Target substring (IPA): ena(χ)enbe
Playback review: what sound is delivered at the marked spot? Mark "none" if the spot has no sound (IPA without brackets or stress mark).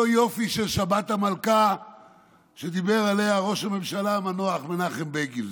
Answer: χ